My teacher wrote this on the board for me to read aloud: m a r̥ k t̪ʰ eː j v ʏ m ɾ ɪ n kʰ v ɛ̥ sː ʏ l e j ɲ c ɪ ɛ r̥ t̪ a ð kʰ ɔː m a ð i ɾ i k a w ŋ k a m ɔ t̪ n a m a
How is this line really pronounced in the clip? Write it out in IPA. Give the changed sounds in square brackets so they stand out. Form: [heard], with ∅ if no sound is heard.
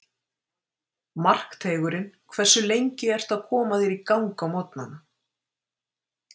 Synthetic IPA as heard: m a r̥ k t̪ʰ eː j [ɣ] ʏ [∅] ɾ ɪ n kʰ v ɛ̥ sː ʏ l e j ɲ c ɪ ɛ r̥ t̪ a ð kʰ ɔː m a ð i ɾ i k a w ŋ k a m ɔ t̪ n a [n] a

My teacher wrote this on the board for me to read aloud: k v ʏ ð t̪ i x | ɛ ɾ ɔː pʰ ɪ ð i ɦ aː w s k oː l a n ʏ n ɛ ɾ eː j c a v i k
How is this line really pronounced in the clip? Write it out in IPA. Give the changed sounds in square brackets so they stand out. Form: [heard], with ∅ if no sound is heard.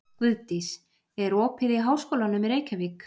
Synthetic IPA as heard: k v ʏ ð t̪ i [s] | ɛ ɾ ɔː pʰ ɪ ð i ɦ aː w s k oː l a n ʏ [m] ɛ ɾ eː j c a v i k

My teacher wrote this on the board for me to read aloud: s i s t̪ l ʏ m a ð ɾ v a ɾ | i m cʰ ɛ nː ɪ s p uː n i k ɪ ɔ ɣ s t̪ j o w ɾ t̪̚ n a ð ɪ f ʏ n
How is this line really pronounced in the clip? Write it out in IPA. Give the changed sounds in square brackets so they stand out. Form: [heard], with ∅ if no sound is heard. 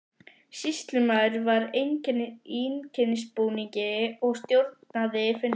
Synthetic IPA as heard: s i s t̪ l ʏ m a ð ɾ v a ɾ | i [n] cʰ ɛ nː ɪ s p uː n i [c] ɪ ɔ ɣ s t̪ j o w ɾ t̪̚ n a ð ɪ f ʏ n

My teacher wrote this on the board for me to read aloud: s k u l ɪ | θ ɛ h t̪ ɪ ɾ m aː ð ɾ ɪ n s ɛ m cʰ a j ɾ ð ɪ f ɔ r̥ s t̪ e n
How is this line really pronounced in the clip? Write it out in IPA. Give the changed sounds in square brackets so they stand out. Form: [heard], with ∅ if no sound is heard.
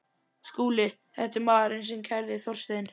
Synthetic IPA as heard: s k [uː] l ɪ | θ ɛ h t̪ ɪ ɾ m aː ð ɾ ɪ n s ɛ m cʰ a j ɾ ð ɪ [θ] ɔ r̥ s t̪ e n

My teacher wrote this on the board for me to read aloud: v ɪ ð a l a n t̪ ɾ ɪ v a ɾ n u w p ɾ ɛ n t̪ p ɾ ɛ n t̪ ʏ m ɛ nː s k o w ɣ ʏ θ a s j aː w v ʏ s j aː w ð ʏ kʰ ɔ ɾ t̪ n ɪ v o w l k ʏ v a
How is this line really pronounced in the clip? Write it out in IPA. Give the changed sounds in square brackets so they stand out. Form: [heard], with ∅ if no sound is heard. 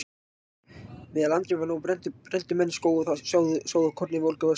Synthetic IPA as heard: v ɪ ð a l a n t̪ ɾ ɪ v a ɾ n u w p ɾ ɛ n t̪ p ɾ ɛ n t̪ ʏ m ɛ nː s k o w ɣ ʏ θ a s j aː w [ð] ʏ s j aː w ð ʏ kʰ ɔ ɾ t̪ n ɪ v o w l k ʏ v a

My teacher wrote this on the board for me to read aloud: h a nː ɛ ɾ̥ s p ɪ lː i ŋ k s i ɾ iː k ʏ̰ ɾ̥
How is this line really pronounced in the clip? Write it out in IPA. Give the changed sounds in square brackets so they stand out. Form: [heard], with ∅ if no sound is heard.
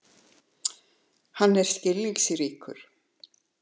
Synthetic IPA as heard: h a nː ɛ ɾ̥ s [c] ɪ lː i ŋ k s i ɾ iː k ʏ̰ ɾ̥

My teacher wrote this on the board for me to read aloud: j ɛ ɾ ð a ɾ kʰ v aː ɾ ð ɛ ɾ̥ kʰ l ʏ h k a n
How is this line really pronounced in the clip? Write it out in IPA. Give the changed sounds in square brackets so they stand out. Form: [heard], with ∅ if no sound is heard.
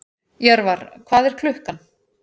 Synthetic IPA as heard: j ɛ ɾ [v] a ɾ kʰ v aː [∅] ð ɛ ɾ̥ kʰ l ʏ h k a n

